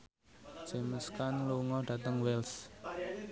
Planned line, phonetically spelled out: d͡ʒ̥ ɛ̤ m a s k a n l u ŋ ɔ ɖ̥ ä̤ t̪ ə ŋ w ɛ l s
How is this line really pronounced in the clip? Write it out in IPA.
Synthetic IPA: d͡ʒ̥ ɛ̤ m ə s k a n l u ŋ ɔ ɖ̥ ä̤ t̪ ə ŋ w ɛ l s